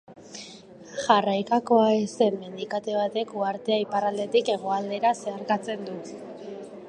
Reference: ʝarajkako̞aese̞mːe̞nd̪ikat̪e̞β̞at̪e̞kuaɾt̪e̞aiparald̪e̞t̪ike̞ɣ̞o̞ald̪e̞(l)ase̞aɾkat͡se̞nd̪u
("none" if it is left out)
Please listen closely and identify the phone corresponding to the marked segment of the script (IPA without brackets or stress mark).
ɾ